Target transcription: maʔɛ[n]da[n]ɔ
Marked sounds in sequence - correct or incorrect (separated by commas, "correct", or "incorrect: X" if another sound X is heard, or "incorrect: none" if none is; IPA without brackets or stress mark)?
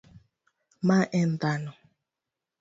correct, correct